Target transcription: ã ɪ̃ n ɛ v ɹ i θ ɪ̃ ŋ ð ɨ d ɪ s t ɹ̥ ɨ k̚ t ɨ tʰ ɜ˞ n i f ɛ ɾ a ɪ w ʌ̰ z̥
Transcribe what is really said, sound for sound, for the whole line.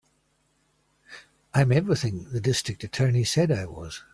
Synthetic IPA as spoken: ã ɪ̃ m ɛ v ɹ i θ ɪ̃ ŋ ð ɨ d ɪ s t ɹ̥ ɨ k̚ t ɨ tʰ ɜ˞ n i s ɛ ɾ a ɪ w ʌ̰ z̥

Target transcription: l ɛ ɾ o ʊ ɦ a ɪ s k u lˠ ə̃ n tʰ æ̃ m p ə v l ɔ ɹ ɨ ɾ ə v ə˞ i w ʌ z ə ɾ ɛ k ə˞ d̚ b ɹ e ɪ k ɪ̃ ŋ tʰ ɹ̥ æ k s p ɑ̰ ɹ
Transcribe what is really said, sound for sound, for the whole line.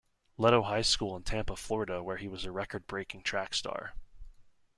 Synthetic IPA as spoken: l ɛ ɾ o ʊ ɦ a ɪ s k u lˠ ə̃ n tʰ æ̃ m p ə f l ɔ ɹ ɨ ɾ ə w ə˞ i w ʌ z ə ɹ ɛ k ə˞ d̚ b ɹ e ɪ k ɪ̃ ŋ tʰ ɹ̥ æ k s t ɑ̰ ɹ

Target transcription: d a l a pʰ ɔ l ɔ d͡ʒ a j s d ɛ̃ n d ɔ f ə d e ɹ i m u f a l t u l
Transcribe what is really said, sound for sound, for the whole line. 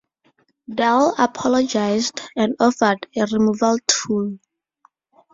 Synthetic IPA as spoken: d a l a pʰ ɔ l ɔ d͡ʒ a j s d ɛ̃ n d ɔ f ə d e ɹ i m u v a l tʰ u l

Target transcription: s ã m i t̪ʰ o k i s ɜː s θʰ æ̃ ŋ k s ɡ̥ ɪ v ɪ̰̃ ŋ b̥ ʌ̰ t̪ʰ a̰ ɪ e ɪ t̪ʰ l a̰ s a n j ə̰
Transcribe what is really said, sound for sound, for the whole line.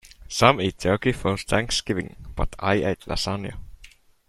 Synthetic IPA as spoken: s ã m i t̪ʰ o k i f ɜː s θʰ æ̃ ŋ k s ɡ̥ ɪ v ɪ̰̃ ŋ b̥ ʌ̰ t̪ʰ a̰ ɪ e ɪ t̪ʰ l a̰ s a n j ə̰

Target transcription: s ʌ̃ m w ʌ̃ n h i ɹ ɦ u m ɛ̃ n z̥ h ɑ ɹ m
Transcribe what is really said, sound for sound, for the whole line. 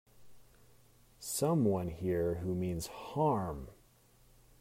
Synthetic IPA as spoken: s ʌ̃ m w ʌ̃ n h i ɹ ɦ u m ĩ n z̥ h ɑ ɹ m

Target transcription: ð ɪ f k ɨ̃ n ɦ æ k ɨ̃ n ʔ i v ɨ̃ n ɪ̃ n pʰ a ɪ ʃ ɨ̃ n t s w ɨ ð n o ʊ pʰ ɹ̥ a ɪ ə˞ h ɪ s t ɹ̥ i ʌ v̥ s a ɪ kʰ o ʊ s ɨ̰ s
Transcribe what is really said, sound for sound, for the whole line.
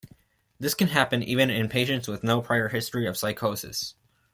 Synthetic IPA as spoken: ð ɪ s k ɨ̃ n ɦ æ p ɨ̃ n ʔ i v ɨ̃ n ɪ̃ n pʰ e ɪ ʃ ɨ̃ n t s w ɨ ð n o ʊ pʰ ɹ̥ a ɪ ə˞ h ɪ s t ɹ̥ i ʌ v̥ s a ɪ kʰ o ʊ s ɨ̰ s

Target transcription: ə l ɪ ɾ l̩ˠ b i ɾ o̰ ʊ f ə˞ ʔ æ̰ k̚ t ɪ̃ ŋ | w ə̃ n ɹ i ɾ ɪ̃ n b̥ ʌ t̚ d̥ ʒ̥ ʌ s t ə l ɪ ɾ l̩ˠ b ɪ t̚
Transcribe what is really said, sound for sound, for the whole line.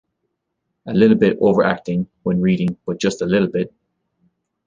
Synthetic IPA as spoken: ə l ɪ ɾ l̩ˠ b ɪ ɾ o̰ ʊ v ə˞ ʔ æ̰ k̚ t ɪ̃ ŋ | w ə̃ n ɹ i ɾ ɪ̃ ŋ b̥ ʌ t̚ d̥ ʒ̥ ʌ s t ə l ɪ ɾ l̩ˠ b ɪ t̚

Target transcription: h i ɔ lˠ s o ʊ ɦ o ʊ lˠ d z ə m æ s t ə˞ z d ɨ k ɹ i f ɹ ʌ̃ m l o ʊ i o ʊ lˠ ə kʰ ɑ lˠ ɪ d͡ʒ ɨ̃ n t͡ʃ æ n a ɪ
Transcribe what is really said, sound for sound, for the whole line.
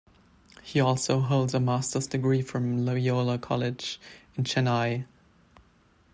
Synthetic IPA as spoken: h i ɔ lˠ s o ʊ ɦ o ʊ lˠ d z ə m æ s t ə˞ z d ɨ ɡ ɹ i f ɹ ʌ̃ m l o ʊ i o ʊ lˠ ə kʰ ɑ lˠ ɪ d͡ʒ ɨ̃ n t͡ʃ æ n a ɪ

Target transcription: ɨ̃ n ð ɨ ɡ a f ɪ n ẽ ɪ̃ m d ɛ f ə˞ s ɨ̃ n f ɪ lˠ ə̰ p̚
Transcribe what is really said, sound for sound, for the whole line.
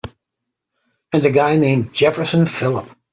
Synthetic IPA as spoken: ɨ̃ n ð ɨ ɡ a ɪ n ẽ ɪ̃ m d͡ʒ ɛ f ə˞ s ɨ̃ n f ɪ lˠ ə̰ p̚

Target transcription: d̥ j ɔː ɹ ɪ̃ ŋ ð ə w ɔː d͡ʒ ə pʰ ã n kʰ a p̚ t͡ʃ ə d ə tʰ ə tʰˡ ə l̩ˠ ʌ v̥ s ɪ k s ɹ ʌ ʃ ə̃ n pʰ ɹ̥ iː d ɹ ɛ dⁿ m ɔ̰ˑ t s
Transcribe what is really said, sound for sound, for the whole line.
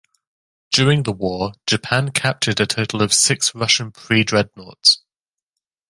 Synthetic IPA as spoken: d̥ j ɔː ɹ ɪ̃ ŋ ð ə w ɔː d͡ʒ ə pʰ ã n kʰ a p̚ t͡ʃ ə d ə tʰ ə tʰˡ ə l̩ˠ ə v̥ s ɪ k s ɹ ʌ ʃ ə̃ n pʰ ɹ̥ iː d ɹ ɛ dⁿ n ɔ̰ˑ t s

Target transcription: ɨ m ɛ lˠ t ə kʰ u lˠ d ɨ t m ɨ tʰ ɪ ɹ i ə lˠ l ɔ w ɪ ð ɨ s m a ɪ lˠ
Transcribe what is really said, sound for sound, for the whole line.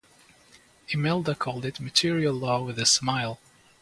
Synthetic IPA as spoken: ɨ m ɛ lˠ d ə kʰ ɔ lˠ d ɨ t m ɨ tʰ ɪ ɹ i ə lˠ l ɔ w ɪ ð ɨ s m a ɪ lˠ

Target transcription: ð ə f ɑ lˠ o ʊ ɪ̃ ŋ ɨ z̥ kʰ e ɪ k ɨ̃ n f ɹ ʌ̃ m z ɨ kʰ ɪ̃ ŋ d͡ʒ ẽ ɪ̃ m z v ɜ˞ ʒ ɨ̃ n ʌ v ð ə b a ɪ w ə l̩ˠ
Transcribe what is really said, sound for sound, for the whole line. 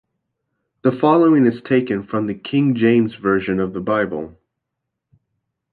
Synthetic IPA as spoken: ð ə f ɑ lˠ o ʊ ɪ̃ ŋ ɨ z̥ tʰ e ɪ k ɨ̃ n f ɹ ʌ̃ m ð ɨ kʰ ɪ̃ ŋ d͡ʒ ẽ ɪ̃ m z v ɜ˞ ʒ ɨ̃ n ʌ v ð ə b a ɪ b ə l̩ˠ

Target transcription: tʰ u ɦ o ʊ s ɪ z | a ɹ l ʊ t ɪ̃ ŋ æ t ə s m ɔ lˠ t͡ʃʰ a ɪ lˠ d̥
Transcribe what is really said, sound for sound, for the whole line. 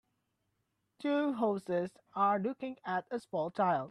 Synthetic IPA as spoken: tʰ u ɦ o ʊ s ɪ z | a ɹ l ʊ k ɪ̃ ŋ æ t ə s m ɔ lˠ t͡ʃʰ a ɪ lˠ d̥

